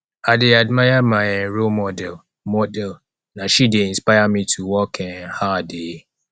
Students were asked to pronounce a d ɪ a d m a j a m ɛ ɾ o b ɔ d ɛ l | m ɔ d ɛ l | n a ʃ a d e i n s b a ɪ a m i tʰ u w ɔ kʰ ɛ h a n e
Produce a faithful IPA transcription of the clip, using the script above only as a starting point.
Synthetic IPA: a d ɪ a d m a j a m a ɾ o m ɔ d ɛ l | m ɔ d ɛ l | n a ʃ i d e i n s p a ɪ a m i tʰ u w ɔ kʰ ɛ h a d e